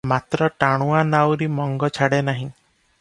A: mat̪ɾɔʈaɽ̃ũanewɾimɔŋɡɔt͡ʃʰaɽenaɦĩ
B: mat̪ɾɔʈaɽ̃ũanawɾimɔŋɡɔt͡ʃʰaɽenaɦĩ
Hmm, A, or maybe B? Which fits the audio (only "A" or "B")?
B